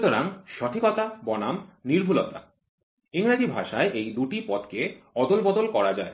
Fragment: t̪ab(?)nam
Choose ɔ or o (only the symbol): ɔ